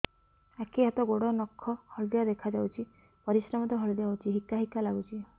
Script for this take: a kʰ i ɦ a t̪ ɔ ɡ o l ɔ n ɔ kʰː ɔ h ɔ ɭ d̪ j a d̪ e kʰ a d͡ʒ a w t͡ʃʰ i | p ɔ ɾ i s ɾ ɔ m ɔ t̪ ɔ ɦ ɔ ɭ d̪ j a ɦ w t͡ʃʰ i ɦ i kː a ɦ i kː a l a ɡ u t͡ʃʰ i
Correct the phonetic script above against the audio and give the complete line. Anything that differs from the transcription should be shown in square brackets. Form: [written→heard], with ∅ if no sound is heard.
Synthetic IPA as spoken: a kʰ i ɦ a t̪ ɔ ɡ o [l→ɽ] ɔ n ɔ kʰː ɔ h ɔ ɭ d̪ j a d̪ e kʰ a d͡ʒ a w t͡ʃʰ i | p ɔ ɾ i s ɾ ɔ m ɔ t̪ ɔ ɦ ɔ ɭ d̪ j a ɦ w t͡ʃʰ i ɦ i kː a ɦ i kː a l a ɡ u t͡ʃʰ i